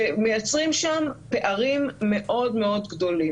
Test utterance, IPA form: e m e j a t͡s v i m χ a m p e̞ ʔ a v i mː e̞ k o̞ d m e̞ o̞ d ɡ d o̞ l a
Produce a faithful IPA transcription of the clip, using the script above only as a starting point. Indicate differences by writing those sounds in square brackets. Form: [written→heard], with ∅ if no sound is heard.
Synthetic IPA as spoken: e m e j a t͡s [v→ʁ] i m [χ→ʃ] a m p e̞ ʔ a [v→ʁ] i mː e̞ [k→ʔ] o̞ d m e̞ o̞ d ɡ d o̞ l [a→i]